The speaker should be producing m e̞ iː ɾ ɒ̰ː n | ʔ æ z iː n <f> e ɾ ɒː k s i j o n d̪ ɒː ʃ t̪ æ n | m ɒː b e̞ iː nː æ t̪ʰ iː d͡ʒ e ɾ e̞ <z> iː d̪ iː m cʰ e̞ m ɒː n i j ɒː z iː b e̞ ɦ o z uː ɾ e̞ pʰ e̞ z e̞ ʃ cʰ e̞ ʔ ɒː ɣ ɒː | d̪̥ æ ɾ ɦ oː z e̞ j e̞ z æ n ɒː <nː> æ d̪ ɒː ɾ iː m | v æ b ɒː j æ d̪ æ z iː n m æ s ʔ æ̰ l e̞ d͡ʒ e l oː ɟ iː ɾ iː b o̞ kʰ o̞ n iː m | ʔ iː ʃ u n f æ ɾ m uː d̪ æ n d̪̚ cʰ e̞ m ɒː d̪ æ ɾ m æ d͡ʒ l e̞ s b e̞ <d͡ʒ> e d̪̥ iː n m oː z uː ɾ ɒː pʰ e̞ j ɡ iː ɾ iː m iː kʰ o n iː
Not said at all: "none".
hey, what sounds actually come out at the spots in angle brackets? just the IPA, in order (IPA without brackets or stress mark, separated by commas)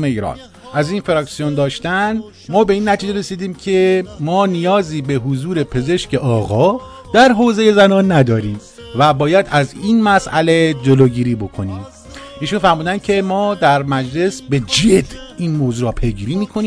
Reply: f, s, nː, d͡ʒ